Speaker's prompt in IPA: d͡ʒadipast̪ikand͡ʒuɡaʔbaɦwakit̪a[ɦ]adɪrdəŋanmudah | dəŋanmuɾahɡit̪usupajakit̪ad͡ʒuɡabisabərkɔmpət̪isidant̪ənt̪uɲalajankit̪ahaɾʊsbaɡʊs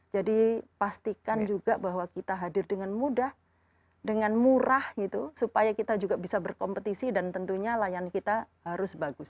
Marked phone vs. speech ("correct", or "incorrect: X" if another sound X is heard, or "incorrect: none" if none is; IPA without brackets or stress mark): correct